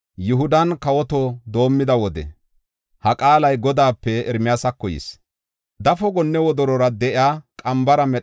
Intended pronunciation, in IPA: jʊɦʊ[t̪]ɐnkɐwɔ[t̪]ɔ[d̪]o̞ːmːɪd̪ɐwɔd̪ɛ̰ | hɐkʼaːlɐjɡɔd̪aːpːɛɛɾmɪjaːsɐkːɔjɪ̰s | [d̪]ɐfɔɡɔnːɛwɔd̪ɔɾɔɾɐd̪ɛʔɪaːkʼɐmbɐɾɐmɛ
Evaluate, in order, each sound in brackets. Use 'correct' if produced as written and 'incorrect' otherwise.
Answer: incorrect, correct, correct, correct

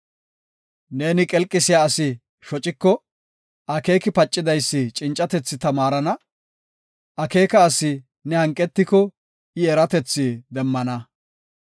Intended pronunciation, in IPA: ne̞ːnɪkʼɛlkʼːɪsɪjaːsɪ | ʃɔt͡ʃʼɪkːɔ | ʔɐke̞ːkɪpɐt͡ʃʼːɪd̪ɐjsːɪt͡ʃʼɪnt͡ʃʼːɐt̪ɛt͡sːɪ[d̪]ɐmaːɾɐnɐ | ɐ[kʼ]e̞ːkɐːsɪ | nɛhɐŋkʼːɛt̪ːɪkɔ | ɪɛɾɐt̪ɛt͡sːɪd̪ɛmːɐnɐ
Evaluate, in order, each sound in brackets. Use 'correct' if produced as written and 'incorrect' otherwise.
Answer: incorrect, incorrect

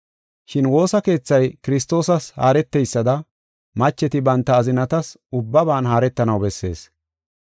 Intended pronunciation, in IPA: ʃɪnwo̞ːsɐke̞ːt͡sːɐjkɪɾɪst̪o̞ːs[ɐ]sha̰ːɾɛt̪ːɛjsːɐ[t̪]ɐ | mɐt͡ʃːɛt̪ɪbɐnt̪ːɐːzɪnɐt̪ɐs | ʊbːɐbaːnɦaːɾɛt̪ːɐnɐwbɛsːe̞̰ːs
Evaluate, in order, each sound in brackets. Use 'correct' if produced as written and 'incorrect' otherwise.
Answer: correct, incorrect

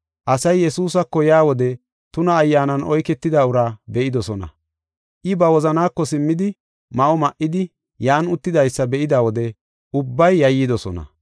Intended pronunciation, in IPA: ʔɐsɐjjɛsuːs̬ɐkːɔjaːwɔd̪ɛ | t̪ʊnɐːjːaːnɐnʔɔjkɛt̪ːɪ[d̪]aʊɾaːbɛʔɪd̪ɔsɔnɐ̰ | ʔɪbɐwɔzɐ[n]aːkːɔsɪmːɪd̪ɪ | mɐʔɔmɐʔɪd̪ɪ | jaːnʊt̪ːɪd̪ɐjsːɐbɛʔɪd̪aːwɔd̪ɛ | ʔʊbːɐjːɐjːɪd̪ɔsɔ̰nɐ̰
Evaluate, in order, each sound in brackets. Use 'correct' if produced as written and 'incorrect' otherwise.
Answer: correct, correct

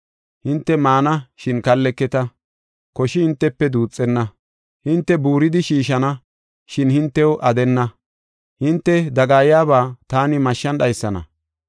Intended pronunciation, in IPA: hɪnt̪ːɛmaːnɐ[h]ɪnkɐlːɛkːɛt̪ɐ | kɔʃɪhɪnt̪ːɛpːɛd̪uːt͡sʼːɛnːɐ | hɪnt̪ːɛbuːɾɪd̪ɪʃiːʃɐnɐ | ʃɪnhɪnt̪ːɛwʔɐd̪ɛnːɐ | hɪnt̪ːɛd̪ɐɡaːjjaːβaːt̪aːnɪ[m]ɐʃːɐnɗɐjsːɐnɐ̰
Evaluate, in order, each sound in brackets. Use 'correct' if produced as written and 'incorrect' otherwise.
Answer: incorrect, correct

